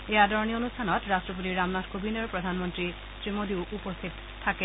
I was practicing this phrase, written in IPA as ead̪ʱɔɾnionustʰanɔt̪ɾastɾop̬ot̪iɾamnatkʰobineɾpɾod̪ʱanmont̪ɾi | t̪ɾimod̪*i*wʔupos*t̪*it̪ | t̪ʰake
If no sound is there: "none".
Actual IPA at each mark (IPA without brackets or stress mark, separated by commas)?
i, t̪ʰ